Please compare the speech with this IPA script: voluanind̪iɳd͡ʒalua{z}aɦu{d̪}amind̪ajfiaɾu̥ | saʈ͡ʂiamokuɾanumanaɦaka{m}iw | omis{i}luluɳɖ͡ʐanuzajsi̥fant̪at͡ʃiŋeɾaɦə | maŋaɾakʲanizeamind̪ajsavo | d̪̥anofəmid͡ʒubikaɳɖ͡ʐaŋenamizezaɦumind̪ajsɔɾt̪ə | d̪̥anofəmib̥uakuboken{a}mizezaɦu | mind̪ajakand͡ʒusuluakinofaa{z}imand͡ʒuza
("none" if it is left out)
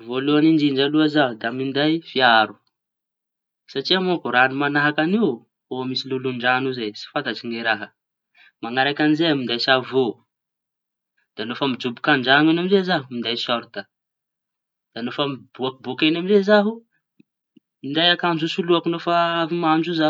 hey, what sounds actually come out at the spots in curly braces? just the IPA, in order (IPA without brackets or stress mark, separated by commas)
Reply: z, d̪, n, i, a, v